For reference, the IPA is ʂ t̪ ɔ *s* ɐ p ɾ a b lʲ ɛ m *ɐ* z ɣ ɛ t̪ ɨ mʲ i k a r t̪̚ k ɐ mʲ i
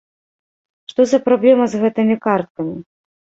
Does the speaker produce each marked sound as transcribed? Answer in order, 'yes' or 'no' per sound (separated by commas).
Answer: no, yes